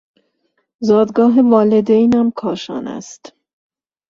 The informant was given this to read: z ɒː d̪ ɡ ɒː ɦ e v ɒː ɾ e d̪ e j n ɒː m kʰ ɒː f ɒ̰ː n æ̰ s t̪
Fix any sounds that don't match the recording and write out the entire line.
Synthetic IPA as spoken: z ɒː d̪ ɡ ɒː ɦ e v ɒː l e d̪ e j n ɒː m kʰ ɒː ʃ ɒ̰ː n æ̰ s t̪

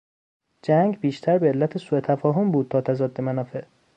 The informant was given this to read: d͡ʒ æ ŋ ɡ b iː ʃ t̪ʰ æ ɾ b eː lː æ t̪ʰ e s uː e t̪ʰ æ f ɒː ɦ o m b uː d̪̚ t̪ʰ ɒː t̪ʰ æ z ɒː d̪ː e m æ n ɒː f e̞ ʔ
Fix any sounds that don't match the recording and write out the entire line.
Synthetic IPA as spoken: d͡ʒ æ ŋ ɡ b iː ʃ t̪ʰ æ ɾ b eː lː æ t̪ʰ e s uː e t̪ʰ æ f ɒː ɦ o m b uː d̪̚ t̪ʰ ɒː t̪ʰ æ z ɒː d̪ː e m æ n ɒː f e̞ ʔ

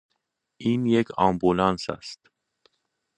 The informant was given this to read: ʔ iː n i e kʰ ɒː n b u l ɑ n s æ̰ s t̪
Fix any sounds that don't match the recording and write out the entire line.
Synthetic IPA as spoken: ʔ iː n j e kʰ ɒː m b u l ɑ n s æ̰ s t̪

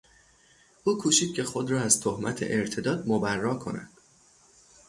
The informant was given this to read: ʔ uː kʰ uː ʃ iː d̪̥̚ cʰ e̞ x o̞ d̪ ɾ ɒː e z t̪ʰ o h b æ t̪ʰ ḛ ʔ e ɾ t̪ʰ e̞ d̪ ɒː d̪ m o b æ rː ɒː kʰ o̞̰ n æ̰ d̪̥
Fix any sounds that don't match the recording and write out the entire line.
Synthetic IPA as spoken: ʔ uː kʰ uː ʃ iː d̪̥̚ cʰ e̞ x o̞ d̪ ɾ ɒː æ z t̪ʰ o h m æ t̪ʰ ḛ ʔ e ɾ t̪ʰ e̞ d̪ ɒː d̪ m o b æ rː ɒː kʰ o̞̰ n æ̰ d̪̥

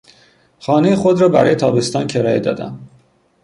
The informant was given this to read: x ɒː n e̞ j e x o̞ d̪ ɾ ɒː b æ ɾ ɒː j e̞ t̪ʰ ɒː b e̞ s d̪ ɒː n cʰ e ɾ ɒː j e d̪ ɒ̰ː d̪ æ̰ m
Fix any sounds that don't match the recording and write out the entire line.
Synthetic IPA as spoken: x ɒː n e̞ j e x o̞ d̪ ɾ ɒː b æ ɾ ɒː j e̞ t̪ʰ ɒː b e̞ s t̪ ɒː n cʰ e ɾ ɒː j e d̪ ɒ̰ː d̪ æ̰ m

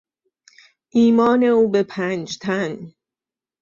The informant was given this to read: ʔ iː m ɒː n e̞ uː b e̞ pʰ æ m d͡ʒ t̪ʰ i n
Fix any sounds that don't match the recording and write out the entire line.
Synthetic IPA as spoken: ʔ iː m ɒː n e̞ uː b e̞ pʰ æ n d͡ʒ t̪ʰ æ n

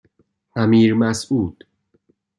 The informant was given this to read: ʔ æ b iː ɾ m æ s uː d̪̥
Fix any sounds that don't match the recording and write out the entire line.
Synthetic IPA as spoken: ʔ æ m iː ɾ m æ s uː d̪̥

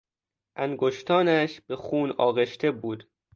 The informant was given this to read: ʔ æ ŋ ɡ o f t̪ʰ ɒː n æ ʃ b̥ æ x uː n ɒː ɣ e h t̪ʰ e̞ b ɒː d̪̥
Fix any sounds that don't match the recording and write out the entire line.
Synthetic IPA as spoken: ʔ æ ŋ ɡ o ʃ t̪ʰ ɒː n æ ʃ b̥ e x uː n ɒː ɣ e ʃ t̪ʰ e̞ b uː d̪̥

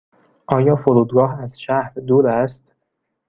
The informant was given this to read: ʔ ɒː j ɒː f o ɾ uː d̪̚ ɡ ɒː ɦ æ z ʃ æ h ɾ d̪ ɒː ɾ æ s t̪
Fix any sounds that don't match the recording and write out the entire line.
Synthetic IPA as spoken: ʔ ɒː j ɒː f o ɾ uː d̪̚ ɡ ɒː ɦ æ z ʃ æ h ɾ d̪ uː ɾ æ s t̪

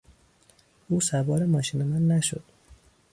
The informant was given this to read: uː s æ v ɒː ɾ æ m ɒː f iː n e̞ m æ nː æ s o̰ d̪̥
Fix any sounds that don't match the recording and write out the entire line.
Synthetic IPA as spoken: uː s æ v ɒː ɾ e m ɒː ʃ iː n e̞ m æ nː æ ʃ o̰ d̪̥

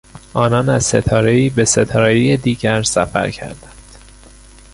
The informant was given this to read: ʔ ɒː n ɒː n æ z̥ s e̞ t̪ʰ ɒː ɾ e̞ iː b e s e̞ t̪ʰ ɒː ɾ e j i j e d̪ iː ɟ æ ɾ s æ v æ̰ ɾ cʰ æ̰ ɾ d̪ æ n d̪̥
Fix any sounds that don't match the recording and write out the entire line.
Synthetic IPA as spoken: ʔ ɒː n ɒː n æ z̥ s e̞ t̪ʰ ɒː ɾ e̞ iː b e s e̞ t̪ʰ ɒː ɾ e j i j e d̪ iː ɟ æ ɾ s æ f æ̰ ɾ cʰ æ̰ ɾ d̪ æ n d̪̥

